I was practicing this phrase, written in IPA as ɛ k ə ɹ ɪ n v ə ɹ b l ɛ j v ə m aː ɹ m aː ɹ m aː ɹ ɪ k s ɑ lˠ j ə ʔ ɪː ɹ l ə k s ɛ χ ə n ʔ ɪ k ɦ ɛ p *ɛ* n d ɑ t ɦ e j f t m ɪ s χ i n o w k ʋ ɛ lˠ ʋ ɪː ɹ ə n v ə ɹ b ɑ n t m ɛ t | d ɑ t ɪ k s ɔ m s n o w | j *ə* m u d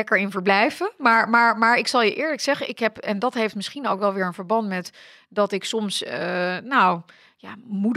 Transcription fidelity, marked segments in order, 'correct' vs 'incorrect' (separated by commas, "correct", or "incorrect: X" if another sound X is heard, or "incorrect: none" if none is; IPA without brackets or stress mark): correct, incorrect: a